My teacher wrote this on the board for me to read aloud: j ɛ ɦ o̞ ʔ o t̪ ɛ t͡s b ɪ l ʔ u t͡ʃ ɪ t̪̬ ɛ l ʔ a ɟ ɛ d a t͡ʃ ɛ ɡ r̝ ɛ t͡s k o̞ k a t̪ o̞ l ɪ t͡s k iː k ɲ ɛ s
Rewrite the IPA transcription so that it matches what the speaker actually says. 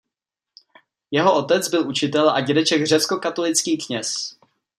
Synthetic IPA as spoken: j ɛ ɦ o̞ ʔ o t̪ ɛ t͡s b ɪ l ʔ u t͡ʃ ɪ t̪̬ ɛ l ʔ a ɟ ɛ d ɛ t͡ʃ ɛ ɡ r̝ ɛ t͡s k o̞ k a t̪ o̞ l ɪ t͡s k iː k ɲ ɛ s